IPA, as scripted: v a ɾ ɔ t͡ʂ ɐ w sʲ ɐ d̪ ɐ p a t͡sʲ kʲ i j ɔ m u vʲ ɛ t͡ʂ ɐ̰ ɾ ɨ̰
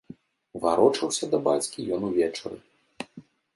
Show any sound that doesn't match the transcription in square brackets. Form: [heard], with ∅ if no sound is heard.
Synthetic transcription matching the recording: v a ɾ ɔ t͡ʂ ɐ w sʲ ɐ d̪ ɐ [b] a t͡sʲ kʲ i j ɔ [n] u vʲ ɛ t͡ʂ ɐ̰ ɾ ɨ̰